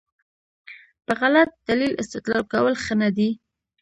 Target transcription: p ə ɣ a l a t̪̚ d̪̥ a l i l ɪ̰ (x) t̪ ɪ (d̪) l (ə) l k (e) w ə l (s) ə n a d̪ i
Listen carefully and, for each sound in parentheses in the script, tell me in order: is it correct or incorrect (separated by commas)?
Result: incorrect, incorrect, incorrect, incorrect, incorrect